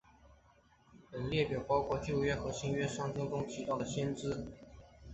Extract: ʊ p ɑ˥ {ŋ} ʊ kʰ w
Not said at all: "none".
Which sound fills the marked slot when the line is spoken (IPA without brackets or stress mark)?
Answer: none